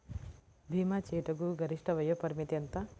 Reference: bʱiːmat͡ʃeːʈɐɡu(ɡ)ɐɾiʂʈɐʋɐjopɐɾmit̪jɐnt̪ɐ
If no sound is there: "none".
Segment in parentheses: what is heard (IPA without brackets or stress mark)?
ɡ